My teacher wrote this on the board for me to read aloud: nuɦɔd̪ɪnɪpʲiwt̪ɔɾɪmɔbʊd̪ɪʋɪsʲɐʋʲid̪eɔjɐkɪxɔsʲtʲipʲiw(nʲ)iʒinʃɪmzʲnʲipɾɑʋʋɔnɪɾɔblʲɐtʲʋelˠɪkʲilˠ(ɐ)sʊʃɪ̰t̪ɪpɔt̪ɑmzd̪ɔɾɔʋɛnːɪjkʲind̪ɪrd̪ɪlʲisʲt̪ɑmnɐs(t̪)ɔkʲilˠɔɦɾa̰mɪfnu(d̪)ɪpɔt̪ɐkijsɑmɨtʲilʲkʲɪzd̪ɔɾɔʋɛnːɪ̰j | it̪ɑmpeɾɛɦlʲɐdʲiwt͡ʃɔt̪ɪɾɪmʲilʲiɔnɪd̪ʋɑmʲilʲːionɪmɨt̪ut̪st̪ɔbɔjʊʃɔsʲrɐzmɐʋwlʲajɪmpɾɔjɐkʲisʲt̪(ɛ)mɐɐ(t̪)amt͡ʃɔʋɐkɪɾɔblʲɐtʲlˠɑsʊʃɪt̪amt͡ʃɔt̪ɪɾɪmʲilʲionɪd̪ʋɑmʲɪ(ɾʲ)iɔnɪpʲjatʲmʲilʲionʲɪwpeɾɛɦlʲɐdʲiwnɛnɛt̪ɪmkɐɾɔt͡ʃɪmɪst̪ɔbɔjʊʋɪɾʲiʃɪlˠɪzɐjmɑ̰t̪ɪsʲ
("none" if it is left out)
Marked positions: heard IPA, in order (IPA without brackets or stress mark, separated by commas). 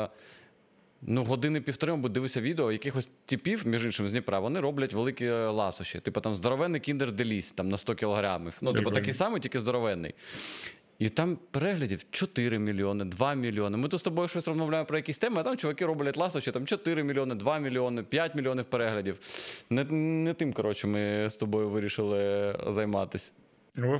mʲ, ɑ, t̪, t̪, ɛ, t̪, lʲ